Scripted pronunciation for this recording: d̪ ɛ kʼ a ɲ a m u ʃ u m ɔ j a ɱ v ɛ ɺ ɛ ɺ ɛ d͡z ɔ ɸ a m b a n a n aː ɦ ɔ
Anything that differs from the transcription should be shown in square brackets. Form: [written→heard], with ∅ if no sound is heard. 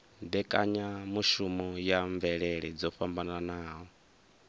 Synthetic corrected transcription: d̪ ɛ kʼ a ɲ a m u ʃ u m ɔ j a ɱ v ɛ ɺ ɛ ɺ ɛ d͡z ɔ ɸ a m b a n a n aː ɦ ɔ